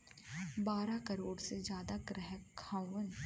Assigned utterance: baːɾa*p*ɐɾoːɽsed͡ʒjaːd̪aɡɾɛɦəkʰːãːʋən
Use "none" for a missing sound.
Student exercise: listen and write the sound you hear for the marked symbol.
k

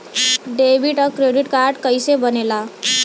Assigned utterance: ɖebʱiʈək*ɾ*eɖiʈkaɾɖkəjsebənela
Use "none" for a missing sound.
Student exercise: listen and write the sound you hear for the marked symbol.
ɾ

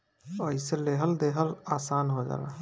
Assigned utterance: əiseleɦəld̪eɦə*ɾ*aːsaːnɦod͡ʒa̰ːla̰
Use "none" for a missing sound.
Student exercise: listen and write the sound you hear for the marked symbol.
l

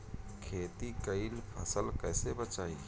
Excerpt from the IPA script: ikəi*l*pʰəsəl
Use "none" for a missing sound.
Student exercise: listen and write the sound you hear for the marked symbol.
l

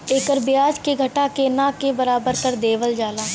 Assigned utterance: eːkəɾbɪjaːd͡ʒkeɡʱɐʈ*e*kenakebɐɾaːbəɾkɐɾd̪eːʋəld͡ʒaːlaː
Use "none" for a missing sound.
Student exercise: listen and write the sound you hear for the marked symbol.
a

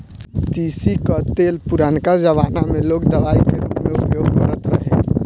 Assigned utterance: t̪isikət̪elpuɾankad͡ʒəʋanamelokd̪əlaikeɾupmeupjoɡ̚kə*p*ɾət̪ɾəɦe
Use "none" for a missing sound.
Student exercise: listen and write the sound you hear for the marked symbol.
none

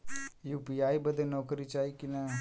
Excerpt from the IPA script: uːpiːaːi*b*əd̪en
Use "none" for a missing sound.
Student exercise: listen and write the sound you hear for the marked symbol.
b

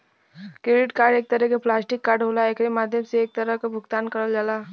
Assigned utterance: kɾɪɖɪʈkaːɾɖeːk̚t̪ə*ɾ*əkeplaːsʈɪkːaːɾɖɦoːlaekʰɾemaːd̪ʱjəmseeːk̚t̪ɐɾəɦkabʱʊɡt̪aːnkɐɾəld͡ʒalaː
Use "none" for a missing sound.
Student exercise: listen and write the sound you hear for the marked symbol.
ɾ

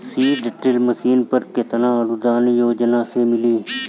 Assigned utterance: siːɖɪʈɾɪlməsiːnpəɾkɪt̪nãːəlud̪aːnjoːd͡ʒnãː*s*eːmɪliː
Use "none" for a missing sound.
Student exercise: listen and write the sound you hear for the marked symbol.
s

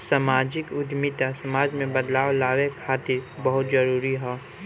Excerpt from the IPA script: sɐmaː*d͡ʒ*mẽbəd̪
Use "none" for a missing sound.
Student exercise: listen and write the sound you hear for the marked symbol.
d͡ʒ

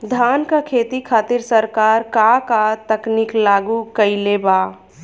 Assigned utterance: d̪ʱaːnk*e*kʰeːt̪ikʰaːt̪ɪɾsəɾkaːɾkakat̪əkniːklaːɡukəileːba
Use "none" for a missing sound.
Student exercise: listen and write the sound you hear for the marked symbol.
a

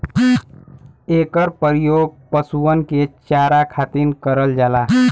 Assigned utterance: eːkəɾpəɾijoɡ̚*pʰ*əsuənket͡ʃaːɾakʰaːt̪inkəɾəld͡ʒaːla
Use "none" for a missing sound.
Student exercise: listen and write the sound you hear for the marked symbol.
p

